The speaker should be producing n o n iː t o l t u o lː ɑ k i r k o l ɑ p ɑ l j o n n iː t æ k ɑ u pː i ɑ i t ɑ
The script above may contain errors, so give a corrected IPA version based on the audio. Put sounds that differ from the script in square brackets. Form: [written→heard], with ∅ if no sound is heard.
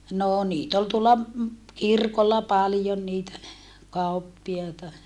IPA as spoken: n [o→oː] n iː t o l t u o lː ɑ k i r k o [l→lː] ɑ p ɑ l j o n n iː t æ k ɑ u pː i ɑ i t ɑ